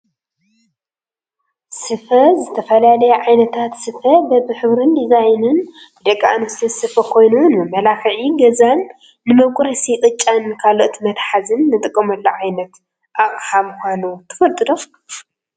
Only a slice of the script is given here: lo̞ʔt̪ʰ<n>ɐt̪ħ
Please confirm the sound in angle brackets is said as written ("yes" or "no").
no